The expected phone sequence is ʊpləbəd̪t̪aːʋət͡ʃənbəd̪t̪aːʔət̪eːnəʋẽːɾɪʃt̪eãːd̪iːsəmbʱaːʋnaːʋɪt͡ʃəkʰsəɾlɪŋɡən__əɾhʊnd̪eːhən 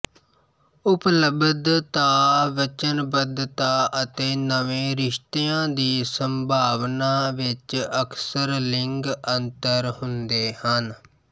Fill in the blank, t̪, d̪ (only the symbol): t̪